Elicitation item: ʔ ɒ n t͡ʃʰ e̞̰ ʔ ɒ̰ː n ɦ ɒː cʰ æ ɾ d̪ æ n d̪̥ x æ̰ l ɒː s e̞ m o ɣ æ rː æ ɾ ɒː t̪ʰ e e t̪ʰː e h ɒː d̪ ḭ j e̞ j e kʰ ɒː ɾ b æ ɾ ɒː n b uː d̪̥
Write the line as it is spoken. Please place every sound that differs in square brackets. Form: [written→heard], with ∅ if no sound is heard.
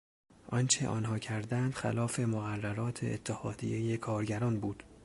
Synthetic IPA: ʔ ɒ n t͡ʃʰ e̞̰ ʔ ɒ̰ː n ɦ ɒː cʰ æ ɾ d̪ æ n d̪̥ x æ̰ l ɒː [s→f] e̞ m o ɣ æ rː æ ɾ ɒː t̪ʰ e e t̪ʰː e h ɒː d̪ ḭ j e̞ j e kʰ ɒː ɾ [b→ɟ] æ ɾ ɒː n b uː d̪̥